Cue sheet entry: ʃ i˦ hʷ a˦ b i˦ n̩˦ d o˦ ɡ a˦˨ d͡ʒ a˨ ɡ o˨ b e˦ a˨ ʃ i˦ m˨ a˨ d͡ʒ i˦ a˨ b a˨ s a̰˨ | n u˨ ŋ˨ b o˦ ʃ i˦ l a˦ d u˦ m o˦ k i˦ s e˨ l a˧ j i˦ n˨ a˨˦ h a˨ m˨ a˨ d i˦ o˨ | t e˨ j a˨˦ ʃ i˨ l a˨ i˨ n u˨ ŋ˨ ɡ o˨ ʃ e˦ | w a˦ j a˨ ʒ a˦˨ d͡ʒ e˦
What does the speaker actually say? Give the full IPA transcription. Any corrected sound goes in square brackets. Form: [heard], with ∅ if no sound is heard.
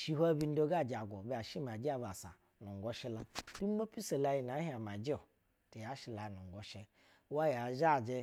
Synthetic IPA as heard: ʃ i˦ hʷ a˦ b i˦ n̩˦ d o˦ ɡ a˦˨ d͡ʒ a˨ ɡ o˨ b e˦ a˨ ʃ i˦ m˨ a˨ d͡ʒ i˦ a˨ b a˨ s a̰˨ | n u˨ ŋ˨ [ɡ] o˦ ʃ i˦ l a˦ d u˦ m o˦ [p] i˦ s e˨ l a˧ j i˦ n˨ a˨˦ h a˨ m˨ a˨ [d͡ʒ] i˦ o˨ | t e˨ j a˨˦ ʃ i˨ l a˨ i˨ n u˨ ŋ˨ ɡ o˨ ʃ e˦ | w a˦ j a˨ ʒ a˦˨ d͡ʒ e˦

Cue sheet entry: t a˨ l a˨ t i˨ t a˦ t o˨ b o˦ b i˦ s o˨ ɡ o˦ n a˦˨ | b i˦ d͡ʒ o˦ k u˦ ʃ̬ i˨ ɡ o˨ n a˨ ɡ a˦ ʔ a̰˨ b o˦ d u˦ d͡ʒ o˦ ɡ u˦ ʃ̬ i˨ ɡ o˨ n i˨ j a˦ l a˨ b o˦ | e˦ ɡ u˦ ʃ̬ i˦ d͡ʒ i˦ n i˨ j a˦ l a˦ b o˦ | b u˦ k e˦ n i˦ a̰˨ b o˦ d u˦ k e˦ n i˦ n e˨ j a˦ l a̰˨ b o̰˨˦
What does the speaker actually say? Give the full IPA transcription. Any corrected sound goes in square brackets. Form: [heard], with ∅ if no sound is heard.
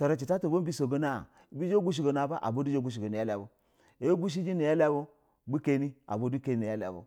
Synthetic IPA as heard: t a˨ [ɾ] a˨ [t͡ʃ] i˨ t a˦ t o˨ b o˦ b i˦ s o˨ ɡ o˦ n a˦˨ | b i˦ d͡ʒ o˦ [ɡ] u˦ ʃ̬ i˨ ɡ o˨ n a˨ [b] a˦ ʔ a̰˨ b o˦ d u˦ d͡ʒ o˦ ɡ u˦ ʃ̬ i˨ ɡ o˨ n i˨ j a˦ l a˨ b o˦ | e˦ ɡ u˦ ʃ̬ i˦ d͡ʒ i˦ n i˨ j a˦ l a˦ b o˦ | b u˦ k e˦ n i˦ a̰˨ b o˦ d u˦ k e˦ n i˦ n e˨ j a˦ l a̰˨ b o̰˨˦

